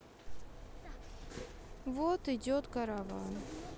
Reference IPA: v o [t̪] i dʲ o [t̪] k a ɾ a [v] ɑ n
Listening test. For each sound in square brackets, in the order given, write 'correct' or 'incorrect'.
correct, correct, correct

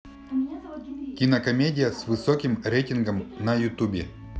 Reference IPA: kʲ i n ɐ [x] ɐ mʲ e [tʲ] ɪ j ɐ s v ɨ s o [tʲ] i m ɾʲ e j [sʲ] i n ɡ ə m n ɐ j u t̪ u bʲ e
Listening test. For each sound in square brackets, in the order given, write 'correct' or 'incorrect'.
incorrect, incorrect, incorrect, incorrect

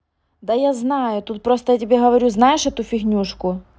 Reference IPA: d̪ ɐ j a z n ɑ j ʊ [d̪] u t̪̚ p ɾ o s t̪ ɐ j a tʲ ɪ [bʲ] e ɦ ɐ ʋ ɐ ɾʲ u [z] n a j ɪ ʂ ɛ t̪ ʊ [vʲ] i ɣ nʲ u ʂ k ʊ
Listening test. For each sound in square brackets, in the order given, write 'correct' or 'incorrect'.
incorrect, correct, correct, incorrect

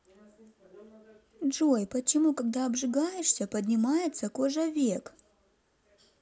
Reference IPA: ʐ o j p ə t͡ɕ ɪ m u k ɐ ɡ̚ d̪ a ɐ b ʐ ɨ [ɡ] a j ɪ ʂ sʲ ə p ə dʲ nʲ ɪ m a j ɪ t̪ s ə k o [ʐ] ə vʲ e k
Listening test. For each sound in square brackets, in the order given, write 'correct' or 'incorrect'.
correct, correct

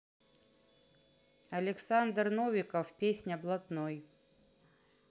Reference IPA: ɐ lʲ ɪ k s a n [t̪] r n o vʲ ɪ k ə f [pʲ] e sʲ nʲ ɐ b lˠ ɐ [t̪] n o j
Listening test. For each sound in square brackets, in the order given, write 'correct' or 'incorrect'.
incorrect, correct, correct

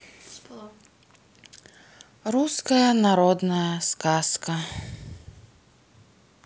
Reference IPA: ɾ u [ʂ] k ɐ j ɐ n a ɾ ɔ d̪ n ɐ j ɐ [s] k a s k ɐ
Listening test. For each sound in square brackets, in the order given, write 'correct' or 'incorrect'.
incorrect, correct

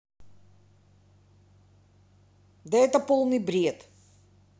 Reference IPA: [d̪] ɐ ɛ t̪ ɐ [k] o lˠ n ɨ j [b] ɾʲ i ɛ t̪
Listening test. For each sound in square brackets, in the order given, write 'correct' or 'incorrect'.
correct, incorrect, correct

